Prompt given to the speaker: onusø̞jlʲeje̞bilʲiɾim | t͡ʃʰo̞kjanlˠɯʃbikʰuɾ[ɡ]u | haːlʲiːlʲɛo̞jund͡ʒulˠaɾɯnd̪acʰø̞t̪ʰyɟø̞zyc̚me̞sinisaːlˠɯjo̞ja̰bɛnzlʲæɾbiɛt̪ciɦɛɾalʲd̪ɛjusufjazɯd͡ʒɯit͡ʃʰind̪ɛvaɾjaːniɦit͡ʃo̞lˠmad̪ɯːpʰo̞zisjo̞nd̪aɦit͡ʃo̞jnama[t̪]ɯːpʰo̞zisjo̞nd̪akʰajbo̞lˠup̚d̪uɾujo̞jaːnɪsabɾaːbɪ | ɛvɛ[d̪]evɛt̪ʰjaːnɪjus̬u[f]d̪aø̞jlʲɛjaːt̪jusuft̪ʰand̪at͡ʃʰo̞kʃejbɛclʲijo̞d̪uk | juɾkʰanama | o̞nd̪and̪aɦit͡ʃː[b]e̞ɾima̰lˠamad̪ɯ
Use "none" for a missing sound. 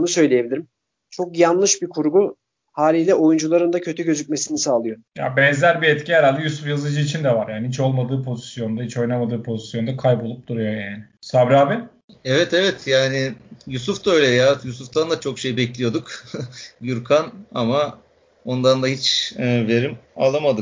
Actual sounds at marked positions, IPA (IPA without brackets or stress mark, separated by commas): ɡ, d̪, t̪, f, v